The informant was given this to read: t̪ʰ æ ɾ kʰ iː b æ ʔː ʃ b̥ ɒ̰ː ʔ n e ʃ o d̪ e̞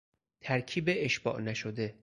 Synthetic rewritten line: t̪ʰ æ ɾ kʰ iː b e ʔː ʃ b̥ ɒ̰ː ʔ n æ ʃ o d̪ e̞